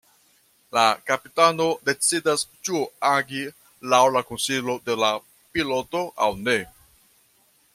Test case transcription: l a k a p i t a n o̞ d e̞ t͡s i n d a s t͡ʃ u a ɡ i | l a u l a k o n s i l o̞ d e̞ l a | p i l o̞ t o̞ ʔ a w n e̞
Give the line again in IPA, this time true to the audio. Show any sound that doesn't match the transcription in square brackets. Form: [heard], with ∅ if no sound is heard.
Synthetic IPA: l a k a p i t a n o̞ d e̞ t͡s i [∅] d a s t͡ʃ u a ɡ i | l a [w] l a k o n s i l o̞ d e̞ l a | p i l o̞ t o̞ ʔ a w n e̞